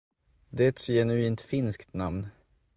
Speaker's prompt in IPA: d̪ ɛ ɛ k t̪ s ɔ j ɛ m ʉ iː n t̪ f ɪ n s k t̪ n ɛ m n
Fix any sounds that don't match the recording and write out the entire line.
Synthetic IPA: d̪ ɛ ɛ t̪ s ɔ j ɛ n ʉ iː n t̪ f ɪ n s k t̪ n a m n

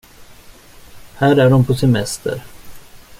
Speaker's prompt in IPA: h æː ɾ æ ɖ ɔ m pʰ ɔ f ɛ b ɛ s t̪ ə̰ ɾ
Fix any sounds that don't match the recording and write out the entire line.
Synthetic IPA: h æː ɾ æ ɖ ɔ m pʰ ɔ s ɛ m ɛ s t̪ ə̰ ɾ

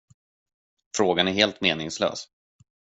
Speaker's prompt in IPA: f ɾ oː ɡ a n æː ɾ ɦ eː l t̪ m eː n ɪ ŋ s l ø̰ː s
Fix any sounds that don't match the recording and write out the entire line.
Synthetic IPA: f ɾ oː ɡ a n æ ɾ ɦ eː l t̪ m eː n ɪ ŋ s l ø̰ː s

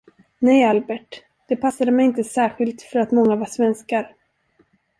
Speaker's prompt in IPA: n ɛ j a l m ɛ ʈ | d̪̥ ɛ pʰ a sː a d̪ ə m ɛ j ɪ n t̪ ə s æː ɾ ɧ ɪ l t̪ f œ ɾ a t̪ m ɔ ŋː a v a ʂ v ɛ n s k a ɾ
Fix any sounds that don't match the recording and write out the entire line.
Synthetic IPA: n ɛ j a l b ɛ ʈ | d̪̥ ɛ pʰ a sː a d̪ ə m ɛ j ɪ n t̪ ə s æː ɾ ɧ ɪ l t̪ f œ ɾ a t̪ m ɔ ŋː a v a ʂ v ɛ n s k a ɾ

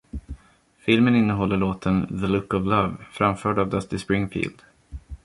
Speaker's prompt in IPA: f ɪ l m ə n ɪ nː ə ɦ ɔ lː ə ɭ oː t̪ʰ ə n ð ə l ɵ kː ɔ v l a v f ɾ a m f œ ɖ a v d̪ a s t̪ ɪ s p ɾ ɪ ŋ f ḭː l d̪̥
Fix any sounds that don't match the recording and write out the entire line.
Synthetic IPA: f ɪ l m ə n ɪ nː ə ɦ ɔ lː ə ɭ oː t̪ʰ ə n ð ə l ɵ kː ɔ v l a v f ɾ a m f œː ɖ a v d̪ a s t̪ ɪ s p ɾ ɪ ŋ f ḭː l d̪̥

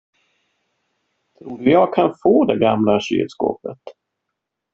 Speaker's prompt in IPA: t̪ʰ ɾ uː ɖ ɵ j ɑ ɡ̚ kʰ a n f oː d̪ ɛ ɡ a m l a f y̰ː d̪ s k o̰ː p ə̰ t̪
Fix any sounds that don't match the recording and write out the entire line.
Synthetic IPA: t̪ʰ ɾ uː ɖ ɵ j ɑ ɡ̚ kʰ a n f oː d̪ ɛ ɡ a m l a ɕ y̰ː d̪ s k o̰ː p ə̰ t̪

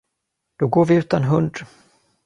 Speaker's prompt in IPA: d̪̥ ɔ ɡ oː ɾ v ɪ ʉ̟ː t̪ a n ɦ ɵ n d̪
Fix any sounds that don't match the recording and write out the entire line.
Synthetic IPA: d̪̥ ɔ ɡ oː ɾ v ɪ ʉ̟ː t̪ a n ɦ ɵ n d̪

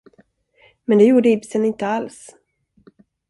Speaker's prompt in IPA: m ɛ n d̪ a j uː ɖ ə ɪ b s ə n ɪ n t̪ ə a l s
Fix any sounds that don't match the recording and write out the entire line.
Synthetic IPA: m ɛ n d̪ ɛ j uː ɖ ə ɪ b s ə n ɪ n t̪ ə a l s

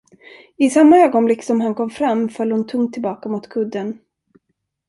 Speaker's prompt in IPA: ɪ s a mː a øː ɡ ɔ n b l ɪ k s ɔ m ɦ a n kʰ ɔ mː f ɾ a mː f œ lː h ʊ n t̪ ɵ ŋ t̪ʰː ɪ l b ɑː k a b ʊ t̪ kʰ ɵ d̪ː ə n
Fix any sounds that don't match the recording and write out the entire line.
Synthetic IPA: ɪ s a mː a øː ɡ ɔ n b l ɪ k s ɔ m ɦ a n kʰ ɔ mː f ɾ a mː f œ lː h ʊ n t̪ʰ ɵ ŋ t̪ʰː ɪ l b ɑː k a m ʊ t̪ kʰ ɵ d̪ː ə n

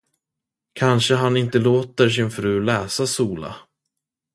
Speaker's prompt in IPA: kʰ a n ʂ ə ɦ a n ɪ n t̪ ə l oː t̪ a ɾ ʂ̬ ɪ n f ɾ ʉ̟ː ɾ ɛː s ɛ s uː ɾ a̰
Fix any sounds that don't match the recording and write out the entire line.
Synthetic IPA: kʰ a n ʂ ə ɦ a n ɪ n t̪ ə l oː t̪ ə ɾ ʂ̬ ɪ n f ɾ ʉ̟ː l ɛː s a s uː l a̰

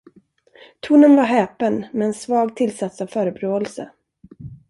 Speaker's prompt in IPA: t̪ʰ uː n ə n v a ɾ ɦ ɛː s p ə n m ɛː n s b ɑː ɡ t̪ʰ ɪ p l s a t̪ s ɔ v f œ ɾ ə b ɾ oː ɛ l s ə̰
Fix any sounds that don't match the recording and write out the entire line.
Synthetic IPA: t̪ʰ uː n ə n v a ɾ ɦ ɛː p ə n m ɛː n s v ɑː ɡ t̪ʰ ɪ l s a t̪ s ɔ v f œː ɾ ə b ɾ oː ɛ l s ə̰

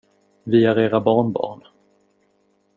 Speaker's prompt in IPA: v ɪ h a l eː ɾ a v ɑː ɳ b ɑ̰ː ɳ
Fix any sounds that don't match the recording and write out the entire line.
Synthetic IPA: v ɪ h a ɾ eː ɾ a b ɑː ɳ b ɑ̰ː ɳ

